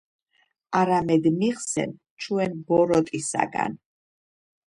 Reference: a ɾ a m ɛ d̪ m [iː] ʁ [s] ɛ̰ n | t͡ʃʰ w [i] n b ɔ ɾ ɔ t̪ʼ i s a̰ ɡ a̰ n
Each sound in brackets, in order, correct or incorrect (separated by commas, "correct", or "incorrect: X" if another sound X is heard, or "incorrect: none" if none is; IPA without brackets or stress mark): incorrect: i, correct, incorrect: ɛ